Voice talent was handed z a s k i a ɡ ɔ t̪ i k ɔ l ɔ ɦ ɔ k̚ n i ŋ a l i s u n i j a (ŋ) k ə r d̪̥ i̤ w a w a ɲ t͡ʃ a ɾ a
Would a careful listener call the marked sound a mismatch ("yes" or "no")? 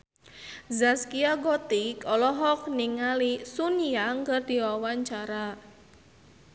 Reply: no